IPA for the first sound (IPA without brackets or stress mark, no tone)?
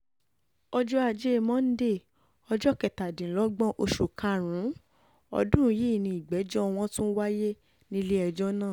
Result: ɔ